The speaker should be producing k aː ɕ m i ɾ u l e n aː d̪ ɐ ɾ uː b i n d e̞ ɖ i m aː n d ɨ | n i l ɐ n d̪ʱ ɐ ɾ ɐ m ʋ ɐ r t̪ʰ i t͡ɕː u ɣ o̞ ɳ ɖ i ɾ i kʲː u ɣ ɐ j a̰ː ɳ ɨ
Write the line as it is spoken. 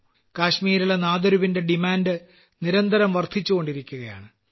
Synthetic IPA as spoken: k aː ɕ m iː ɾ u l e n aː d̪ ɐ ɾ u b i n d e̞ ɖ i m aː n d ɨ | n i ɾ ɐ n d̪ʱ ɐ ɾ ɐ m ʋ ɐ r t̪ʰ i t͡ɕː u ɣ o̞ ɳ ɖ i ɾ i kʲː u ɣ ɐ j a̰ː ɳ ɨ

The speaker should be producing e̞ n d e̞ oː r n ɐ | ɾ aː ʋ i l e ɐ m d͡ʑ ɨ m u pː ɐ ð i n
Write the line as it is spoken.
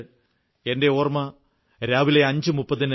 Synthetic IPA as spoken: e̞ n d e̞ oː r m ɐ | ɾ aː ʋ i l e ɐ ɲ d͡ʑ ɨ m u pː ɐ ð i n

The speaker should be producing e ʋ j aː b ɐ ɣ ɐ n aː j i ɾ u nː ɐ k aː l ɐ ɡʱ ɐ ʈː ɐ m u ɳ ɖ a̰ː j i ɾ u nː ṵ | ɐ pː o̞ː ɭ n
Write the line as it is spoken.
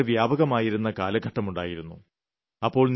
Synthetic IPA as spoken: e ʋ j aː b ɐ ɣ ɐ m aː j i ɾ u nː ɐ k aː l ɐ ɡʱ ɐ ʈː ɐ m u ɳ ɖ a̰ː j i ɾ u nː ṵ | ɐ pː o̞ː ɭ n

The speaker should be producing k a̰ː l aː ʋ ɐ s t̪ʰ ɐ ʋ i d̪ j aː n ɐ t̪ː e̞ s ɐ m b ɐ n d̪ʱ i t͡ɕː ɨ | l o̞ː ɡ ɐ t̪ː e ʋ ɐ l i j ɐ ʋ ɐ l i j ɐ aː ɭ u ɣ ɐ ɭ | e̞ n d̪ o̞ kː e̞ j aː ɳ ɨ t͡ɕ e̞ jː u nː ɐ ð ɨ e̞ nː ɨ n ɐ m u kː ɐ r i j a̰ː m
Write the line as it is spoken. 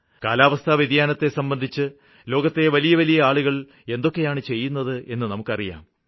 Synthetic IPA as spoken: k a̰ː l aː ʋ ɐ s t̪ʰ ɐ ʋ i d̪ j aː n ɐ t̪ː e̞ s ɐ m b ɐ n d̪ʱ i t͡ɕː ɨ | l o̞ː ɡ ɐ t̪ː e ʋ ɐ l i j ɐ ʋ ɐ l i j ɐ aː ɭ u ɣ ɐ ɭ | e̞ n d̪ o̞ kː e̞ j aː ɳ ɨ t͡ɕ e̞ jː u nː ɐ ð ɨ e̞ nː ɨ n ɐ m u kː ɐ r i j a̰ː m

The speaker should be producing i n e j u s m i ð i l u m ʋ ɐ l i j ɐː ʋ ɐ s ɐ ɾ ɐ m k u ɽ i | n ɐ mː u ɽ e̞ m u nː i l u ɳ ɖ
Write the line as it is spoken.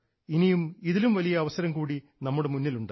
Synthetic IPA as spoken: i n i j u m i ð i l u m ʋ ɐ l i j ɐː ʋ ɐ s ɐ ɾ ɐ m k uː ɽ i | n ɐ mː u ɽ e̞ m u nː i l u ɳ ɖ

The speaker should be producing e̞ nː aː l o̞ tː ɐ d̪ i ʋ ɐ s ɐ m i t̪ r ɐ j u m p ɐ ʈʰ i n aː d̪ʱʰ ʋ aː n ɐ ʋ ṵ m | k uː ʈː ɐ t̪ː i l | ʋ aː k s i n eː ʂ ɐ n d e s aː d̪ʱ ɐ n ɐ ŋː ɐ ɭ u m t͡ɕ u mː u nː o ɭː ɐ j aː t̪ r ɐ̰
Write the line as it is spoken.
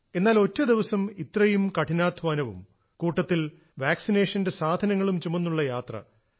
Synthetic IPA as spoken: e̞ nː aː l o̞ tː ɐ d̪ i ʋ ɐ s ɐ m i t̪ r ɐ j u m k ɐ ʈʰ i n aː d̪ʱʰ ʋ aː n ɐ ʋ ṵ m | k uː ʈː ɐ t̪ː i l | ʋ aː k s i n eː ʂ ɐ n d e s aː d̪ʱ ɐ n ɐ ŋː ɐ ɭ u m t͡ɕ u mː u nː u ɭː ɐ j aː t̪ r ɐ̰

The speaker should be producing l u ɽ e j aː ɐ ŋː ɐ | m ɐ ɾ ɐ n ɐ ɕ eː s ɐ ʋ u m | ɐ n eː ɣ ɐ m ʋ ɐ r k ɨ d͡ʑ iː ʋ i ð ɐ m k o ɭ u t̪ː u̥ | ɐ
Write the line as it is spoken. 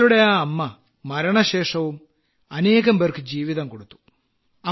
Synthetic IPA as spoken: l u ɽ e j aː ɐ mː ɐ | m ɐ ɾ ɐ ɳ ɐ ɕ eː ʂ ɐ ʋ u m | ɐ n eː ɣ ɐ m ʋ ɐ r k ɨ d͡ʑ iː ʋ i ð ɐ m k o ɽ u t̪ː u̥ | ɐ

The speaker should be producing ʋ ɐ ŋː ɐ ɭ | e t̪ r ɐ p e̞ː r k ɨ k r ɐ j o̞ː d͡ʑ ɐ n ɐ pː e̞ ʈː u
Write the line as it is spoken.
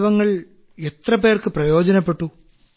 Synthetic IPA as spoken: ʋ ɐ ŋː ɐ ɭ | e t̪ r ɐ p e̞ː r k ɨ p r ɐ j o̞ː d͡ʑ ɐ n ɐ pː e̞ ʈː u

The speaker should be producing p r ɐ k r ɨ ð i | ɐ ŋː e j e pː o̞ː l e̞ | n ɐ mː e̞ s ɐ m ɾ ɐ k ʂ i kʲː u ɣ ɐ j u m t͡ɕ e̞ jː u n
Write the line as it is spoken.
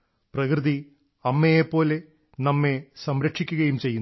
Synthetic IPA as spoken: p r ɐ k r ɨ ð i | ɐ mː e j e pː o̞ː l e̞ | n ɐ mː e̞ s ɐ m ɾ ɐ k ʂ i kʲː u ɣ ɐ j u m t͡ɕ e̞ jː u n

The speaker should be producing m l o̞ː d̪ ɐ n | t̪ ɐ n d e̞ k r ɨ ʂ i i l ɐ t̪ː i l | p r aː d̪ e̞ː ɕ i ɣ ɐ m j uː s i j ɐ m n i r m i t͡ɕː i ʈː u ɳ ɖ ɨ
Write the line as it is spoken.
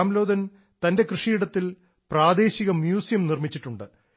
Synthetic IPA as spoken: m l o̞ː d̪ ɐ n | t̪ ɐ n d e̞ k r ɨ ʂ i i ɽ ɐ t̪ː i l | p r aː d̪ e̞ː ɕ i ɣ ɐ m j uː s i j ɐ m n i r m i t͡ɕː i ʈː u ɳ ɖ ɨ

